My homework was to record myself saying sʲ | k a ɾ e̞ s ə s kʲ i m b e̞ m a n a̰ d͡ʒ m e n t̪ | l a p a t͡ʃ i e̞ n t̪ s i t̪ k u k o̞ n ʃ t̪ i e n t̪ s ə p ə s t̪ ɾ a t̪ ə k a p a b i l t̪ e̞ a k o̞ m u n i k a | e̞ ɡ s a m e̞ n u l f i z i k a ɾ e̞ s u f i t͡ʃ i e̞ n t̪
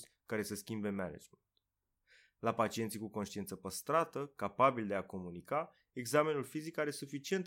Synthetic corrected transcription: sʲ | k a ɾ e̞ s ə s kʲ i m b e̞ m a n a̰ d͡ʒ m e n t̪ | l a p a t͡ʃ i e̞ n t̪ s i k u k o̞ n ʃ t̪ i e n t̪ s ə p ə s t̪ ɾ a t̪ ə k a p a b i l d̪ e̞ a k o̞ m u n i k a | e̞ ɡ z a m e̞ n u l f i z i k a ɾ e̞ s u f i t͡ʃ i e̞ n t̪